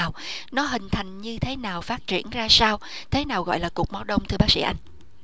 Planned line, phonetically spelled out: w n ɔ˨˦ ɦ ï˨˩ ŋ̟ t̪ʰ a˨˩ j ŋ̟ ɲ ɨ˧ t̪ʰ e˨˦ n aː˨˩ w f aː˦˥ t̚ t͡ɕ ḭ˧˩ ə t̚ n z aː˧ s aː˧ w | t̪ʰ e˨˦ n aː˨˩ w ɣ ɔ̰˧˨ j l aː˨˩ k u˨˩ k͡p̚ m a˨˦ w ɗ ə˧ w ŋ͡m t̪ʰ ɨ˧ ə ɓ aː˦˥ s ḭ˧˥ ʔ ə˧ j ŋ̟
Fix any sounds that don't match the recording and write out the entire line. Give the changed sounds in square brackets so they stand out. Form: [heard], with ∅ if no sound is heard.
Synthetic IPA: w n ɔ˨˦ ɦ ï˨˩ ŋ̟ t̪ʰ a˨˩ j ŋ̟ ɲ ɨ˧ t̪ʰ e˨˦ n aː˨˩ w f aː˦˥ t̚ t͡ɕ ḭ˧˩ ə [∅] n z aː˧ s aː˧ w | t̪ʰ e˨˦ n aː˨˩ w ɣ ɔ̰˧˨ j l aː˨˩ k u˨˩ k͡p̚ m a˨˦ w ɗ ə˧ w ŋ͡m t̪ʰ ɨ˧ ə ɓ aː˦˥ s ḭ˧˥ ʔ [a˧] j ŋ̟